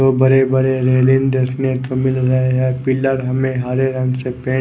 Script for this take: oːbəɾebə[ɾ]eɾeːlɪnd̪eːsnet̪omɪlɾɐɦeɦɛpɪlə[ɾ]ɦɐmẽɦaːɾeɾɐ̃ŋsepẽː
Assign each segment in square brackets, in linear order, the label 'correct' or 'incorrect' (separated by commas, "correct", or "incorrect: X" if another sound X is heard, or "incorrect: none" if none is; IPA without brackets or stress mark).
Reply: correct, correct